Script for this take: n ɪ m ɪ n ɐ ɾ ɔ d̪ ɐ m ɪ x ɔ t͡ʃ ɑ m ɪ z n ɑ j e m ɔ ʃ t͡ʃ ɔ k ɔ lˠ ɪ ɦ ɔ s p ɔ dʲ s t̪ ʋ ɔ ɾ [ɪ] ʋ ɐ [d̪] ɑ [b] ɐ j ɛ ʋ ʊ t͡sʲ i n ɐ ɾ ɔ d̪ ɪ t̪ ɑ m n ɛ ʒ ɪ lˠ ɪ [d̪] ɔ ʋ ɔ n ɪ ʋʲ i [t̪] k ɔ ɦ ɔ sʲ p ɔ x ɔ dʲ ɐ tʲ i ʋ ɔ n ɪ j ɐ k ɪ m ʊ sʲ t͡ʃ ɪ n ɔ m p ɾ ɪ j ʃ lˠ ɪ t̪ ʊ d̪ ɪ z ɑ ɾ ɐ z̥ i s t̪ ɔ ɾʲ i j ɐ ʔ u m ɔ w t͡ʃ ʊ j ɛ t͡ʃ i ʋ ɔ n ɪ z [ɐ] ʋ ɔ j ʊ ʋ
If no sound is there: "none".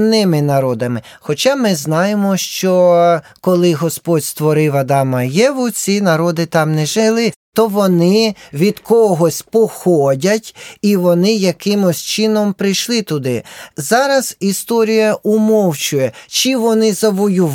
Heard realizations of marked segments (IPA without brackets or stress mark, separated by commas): ɪ, d̪, m, t̪, d̪, ɐ